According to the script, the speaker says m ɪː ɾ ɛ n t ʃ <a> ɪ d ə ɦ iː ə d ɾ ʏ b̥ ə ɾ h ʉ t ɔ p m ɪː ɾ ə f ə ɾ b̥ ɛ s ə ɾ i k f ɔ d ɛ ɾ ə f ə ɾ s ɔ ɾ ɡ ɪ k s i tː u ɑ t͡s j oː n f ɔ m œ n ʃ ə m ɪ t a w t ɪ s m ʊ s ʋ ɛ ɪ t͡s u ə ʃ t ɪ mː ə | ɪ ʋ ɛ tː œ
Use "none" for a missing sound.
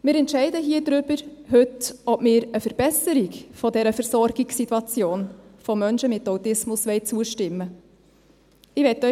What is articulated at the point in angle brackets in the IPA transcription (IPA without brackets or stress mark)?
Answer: ɛ